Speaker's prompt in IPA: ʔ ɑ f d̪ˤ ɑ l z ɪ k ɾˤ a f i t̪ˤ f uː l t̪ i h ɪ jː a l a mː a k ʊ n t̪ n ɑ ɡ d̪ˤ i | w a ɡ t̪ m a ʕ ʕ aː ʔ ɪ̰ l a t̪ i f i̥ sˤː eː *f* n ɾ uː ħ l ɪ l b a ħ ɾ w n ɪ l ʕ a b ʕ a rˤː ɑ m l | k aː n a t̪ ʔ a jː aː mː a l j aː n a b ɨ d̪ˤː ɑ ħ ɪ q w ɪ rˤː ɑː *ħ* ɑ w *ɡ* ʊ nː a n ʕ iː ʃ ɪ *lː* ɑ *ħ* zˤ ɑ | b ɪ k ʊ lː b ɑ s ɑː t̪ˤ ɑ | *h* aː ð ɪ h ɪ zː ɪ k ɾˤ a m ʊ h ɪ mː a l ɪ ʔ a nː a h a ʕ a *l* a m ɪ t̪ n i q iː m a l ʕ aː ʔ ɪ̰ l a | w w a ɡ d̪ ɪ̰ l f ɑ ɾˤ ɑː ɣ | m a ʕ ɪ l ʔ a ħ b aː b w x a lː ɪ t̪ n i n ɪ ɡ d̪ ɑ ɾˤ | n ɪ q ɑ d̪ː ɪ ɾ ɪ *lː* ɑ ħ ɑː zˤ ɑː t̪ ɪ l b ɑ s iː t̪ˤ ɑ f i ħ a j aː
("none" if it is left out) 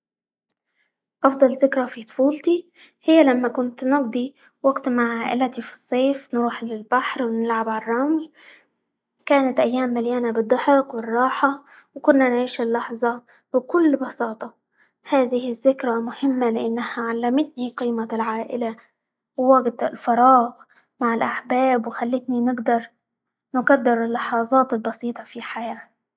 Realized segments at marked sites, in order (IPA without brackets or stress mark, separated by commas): f, ħ, k, lː, ħ, h, lː, lː